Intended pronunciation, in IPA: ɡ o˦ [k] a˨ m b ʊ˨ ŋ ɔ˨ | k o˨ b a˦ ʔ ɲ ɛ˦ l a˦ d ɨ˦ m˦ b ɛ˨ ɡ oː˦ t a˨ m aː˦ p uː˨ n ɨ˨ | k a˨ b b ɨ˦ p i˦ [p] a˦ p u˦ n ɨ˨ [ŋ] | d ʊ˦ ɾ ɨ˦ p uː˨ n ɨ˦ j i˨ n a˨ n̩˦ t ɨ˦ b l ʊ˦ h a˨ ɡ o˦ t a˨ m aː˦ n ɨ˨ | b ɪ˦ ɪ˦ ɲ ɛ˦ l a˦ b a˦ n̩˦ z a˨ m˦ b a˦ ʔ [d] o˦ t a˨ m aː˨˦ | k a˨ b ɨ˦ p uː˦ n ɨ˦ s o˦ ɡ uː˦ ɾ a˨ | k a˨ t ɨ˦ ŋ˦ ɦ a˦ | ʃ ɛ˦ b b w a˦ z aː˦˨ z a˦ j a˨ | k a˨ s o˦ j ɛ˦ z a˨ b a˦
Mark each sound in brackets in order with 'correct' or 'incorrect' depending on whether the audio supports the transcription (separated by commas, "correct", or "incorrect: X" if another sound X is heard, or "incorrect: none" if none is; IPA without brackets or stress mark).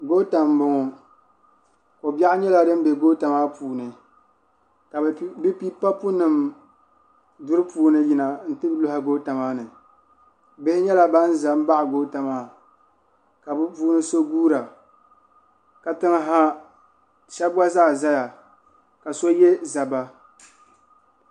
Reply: incorrect: t, correct, incorrect: m, incorrect: ɡ